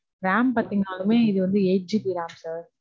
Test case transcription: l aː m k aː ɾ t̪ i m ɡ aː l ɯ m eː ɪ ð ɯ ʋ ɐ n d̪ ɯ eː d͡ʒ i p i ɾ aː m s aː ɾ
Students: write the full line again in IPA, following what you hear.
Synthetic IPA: ɾ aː m p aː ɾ t̪ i ŋ ɡ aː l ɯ m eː ɪ ð ɯ ʋ ɐ n d̪ ɯ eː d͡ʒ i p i ɾ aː m s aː ɾ